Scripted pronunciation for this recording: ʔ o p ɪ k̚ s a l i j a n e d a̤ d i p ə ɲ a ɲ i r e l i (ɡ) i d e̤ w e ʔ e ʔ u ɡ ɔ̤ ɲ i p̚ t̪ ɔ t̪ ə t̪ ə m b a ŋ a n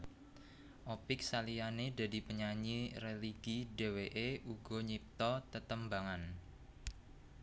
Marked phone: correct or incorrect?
correct